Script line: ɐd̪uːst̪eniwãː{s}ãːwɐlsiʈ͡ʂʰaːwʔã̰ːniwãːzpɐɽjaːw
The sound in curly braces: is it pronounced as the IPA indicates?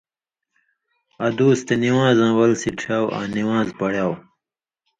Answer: no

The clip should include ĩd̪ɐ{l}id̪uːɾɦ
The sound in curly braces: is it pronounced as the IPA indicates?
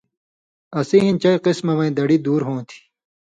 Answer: no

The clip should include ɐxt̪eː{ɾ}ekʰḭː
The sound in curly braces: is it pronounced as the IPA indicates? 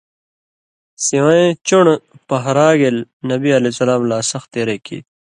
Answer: yes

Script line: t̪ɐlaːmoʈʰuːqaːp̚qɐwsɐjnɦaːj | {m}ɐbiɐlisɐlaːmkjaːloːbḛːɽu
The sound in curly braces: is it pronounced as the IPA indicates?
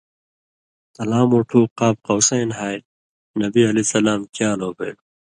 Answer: no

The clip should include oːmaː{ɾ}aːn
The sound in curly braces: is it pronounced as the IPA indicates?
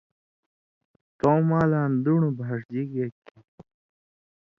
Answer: no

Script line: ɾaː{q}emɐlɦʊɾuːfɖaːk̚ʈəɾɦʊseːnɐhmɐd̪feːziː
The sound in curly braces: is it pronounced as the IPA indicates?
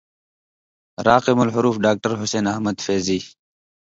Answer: yes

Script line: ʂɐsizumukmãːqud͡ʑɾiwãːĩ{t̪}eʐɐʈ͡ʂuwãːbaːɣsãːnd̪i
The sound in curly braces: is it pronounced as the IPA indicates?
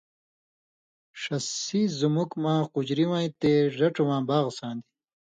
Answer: yes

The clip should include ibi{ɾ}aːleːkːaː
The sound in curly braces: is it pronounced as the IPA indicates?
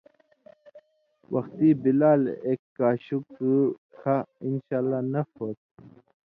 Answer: no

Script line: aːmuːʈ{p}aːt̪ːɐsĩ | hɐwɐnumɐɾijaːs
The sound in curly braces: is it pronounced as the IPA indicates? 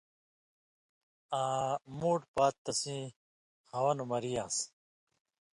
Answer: yes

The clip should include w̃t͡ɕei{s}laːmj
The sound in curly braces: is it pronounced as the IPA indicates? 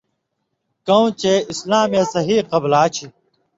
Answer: yes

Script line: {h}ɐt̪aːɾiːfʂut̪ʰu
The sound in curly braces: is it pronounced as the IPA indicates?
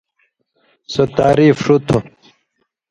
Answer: no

